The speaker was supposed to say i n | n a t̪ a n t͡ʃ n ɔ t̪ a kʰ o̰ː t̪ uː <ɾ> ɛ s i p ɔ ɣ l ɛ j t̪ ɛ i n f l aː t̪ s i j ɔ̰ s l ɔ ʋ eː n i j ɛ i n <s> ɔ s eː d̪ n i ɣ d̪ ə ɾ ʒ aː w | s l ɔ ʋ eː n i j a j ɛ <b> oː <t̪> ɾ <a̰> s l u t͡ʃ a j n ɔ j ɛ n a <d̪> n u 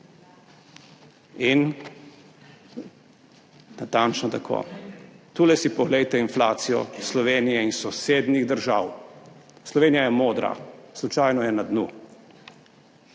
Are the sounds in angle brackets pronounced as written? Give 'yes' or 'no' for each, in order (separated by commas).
no, yes, no, no, yes, yes